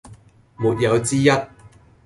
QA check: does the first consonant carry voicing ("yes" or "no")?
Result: yes